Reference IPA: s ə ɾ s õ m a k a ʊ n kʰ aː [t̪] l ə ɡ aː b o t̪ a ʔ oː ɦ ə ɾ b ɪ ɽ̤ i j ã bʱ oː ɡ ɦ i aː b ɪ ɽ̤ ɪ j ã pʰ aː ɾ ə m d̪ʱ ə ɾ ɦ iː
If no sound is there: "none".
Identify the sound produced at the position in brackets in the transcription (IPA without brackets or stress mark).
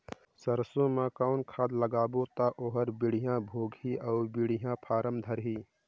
d̪